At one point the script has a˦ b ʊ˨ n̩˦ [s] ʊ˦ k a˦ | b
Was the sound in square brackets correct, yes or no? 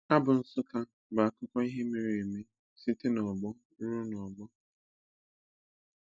yes